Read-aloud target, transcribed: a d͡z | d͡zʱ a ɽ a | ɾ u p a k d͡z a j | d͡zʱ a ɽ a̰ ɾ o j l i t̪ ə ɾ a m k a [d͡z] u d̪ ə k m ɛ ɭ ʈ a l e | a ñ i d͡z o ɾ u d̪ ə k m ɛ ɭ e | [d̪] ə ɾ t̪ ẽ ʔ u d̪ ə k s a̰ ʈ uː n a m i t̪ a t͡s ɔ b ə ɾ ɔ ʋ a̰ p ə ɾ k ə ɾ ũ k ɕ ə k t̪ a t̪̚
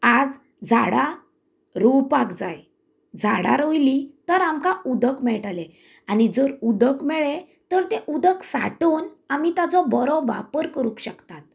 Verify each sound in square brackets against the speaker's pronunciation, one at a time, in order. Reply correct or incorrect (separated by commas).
incorrect, incorrect